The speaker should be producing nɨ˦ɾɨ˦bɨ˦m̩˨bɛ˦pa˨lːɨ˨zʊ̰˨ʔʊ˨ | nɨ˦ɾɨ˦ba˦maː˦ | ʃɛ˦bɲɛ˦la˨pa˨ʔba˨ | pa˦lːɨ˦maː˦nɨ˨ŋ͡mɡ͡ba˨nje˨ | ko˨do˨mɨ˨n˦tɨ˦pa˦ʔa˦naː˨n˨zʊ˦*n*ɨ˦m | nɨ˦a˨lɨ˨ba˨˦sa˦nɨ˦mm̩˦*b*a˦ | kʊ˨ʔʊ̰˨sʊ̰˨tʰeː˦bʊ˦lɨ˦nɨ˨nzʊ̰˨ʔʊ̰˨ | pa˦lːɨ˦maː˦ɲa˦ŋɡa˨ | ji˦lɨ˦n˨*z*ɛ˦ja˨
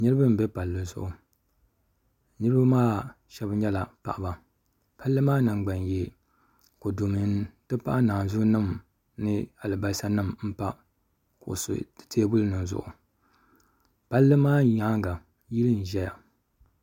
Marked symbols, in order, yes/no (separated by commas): yes, no, no